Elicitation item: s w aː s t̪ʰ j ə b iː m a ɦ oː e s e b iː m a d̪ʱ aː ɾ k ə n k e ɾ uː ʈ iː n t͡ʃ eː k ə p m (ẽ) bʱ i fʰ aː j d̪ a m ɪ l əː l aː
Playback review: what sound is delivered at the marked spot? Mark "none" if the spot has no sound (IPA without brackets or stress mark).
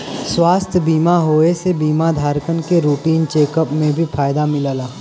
ẽ